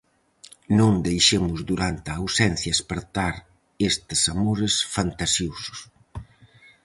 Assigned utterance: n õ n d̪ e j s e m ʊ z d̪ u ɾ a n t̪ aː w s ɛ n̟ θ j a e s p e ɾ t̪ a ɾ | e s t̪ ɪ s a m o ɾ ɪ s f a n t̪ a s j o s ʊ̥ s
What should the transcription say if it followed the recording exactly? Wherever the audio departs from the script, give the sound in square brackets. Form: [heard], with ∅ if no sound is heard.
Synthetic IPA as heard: n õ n d̪ e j [ʃ] e m ʊ z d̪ u ɾ a n t̪ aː w s ɛ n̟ θ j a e s p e ɾ t̪ a ɾ | e s t̪ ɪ s a m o ɾ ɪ s f a n t̪ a s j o s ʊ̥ s